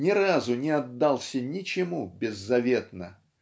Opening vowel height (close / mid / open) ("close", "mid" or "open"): close